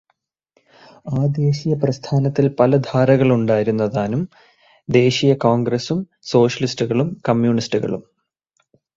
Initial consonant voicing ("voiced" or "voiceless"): voiced